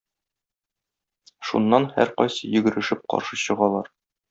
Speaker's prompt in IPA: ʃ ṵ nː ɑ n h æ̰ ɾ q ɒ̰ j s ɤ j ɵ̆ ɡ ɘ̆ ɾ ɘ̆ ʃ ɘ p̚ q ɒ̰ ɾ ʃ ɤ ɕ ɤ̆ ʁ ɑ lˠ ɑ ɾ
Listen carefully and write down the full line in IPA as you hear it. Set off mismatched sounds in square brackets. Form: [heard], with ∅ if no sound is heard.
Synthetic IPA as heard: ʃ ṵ nː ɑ n h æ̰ ɾ q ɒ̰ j s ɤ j ɵ̆ ɡ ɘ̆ ɾ ɘ̆ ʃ ɘ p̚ q ɒ̰ ɾ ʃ ɤ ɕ ɤ̆ ʁ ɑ lˠ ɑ ɾ